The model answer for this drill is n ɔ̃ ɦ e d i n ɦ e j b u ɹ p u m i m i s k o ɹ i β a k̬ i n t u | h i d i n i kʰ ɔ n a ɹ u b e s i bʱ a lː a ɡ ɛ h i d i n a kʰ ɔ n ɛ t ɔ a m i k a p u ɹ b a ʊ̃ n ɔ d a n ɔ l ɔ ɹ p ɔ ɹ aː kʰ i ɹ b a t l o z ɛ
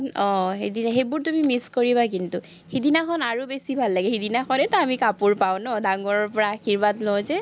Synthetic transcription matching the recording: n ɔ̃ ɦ e d i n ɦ e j b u ɹ t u m i m i s k o ɹ i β a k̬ i n t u | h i d i n a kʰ ɔ n a ɹ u b e s i bʱ a lː a ɡ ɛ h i d i n a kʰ ɔ n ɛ t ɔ a m i k a p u ɹ p a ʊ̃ n ɔ d a ŋ ɔ ɹ ɔ ɹ p ɔ ɹ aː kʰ i ɹ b a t l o z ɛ

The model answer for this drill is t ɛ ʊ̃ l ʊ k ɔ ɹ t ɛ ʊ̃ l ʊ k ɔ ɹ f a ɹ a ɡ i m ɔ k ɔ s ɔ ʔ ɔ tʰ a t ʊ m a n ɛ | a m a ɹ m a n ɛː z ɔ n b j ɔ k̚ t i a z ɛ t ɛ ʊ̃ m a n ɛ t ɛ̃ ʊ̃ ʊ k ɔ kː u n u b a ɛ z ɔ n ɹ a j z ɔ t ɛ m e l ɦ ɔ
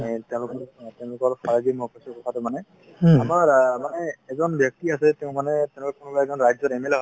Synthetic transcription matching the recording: t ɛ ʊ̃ l ʊ k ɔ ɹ t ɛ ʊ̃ l ʊ k ɔ ɹ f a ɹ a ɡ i m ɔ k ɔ s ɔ k ɔ tʰ a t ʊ m a n ɛ | a m a ɹ m a n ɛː z ɔ n b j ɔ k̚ t i a s ɛ t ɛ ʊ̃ m a n ɛ t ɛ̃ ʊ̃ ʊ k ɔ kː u n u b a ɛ z ɔ n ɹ a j z ɔ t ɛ m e l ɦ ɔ

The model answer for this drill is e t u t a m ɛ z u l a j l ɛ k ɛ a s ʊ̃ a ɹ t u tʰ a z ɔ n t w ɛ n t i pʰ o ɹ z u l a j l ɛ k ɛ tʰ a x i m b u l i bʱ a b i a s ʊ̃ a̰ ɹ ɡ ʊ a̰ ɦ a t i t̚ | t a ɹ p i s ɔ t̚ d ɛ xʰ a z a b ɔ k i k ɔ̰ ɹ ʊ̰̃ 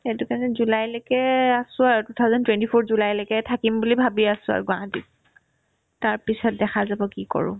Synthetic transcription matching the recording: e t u k a n ɛ z u l a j l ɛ k ɛ a s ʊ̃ a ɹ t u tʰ a z ɔ n t w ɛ n t i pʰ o ɹ z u l a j l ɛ k ɛ tʰ a k i m b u l i bʱ a b i a s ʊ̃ a̰ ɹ ɡ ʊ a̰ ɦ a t i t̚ | t a ɹ p i s ɔ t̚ d ɛ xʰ a z a b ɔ k i k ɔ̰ ɹ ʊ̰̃

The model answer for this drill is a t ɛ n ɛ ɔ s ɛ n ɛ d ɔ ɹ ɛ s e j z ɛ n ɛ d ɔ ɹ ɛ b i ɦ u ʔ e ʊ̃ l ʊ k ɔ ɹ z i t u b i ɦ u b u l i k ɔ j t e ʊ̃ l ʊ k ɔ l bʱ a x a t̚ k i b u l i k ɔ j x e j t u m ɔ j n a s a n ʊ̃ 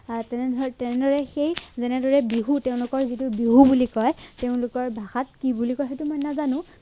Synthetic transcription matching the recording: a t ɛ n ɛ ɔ t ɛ n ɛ d ɔ ɹ ɛ x e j z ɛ n ɛ d ɔ ɹ ɛ b i ɦ u t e ʊ̃ l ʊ k ɔ ɹ z i t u b i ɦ u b u l i k ɔ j t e ʊ̃ l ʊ k ɔ ɹ bʱ a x a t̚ k i b u l i k ɔ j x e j t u m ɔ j n a z a n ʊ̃

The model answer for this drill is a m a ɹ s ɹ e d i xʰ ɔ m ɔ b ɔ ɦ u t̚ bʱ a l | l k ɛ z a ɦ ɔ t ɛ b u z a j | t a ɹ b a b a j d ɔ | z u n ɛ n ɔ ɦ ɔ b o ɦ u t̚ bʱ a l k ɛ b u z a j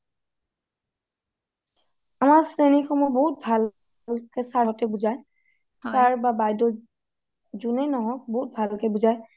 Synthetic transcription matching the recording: a m a ɹ s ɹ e n i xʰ ɔ m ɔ b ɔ ɦ u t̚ bʱ a l | l k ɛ s a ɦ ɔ t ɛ b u z a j | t a ɹ b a b a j d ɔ | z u n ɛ n ɔ ɦ ɔ b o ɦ u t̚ bʱ a l k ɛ b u z a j

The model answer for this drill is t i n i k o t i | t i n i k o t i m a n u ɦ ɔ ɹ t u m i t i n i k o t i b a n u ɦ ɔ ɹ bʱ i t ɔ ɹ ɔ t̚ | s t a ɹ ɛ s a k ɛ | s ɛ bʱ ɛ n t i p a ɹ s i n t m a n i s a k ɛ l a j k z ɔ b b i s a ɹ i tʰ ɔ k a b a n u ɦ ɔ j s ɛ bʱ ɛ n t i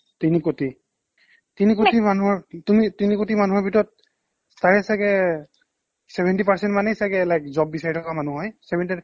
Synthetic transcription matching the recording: t i n i k o t i | t i n i k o t i m a n u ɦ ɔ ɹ t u m i t i n i k o t i m a n u ɦ ɔ ɹ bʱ i t ɔ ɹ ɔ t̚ | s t a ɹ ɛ s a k ɛ | s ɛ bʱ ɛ n t i p a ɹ s ɛ n t m a n ɛ s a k ɛ l a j k z ɔ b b i s a ɹ i tʰ ɔ k a m a n u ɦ ɔ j s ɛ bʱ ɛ n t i

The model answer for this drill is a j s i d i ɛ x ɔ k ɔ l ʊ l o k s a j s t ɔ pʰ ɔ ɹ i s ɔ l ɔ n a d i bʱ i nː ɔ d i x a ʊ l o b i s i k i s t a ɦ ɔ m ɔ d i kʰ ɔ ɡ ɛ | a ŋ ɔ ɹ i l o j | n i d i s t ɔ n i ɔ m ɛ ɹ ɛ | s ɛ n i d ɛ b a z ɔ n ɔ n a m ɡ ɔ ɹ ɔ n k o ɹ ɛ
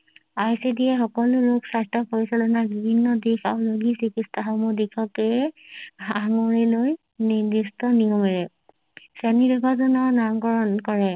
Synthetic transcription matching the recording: a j s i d i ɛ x ɔ k ɔ l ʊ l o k s a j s t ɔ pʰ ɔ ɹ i s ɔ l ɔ n a b i bʱ i nː ɔ d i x a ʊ l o ɡ i s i k i s t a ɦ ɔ m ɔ d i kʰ ɔ k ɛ | a ŋ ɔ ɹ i l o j | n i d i s t ɔ n i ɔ m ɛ ɹ ɛ | s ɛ n i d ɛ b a z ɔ n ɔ n a m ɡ ɔ ɹ ɔ n k ɔ ɹ ɛ

